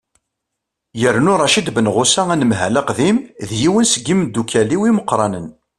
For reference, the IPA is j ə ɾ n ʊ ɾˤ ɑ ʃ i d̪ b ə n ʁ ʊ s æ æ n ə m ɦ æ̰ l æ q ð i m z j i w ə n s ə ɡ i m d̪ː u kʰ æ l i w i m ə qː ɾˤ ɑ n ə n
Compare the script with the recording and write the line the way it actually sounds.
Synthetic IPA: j ə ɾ n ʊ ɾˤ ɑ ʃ i d̪ b ə n ʁ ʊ s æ æ n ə m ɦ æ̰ l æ q ð i m ð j i w ə n s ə ɡ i m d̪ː u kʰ æ l i w i m ə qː ɾˤ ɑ n ə n